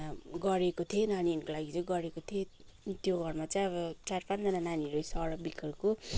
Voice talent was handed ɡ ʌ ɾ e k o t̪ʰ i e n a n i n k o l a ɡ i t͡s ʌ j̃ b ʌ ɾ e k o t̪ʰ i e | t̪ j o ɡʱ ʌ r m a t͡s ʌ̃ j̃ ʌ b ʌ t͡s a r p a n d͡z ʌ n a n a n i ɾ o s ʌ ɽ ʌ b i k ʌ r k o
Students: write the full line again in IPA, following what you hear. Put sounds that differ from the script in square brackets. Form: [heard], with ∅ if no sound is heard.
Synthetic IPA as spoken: ɡ ʌ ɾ e k o t̪ʰ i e n a n i n k o l a ɡ i t͡s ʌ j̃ [ɡ] ʌ ɾ e k o t̪ʰ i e | t̪ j o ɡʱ ʌ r m a t͡s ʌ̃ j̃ ʌ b ʌ t͡s a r p a n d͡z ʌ n a n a n i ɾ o s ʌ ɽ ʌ b i k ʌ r k o